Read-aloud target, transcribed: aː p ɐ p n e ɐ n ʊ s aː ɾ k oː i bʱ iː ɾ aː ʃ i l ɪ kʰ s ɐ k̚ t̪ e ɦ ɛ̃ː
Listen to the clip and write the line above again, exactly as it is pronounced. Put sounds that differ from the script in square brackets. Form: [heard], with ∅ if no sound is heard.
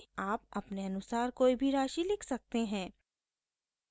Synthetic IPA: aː p ɐ p n e ɐ n ʊ s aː ɾ k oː i bʱ [i] ɾ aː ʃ i l ɪ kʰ s ɐ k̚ t̪ e ɦ ɛ̃ː

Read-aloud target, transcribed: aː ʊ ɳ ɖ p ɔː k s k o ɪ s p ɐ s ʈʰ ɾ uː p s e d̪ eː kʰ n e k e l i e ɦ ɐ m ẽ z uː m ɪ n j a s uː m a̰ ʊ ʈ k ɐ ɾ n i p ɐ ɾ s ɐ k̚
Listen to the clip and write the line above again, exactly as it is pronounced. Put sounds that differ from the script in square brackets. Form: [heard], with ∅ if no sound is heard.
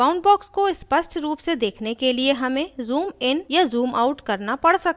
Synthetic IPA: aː ʊ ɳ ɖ [b] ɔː k s k o ɪ s p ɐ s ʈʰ ɾ uː p s e d̪ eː kʰ n e k e l i e ɦ ɐ m ẽ z uː m ɪ n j a [z] uː m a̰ ʊ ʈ k ɐ ɾ n [a] p ɐ [ɽ] s ɐ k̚

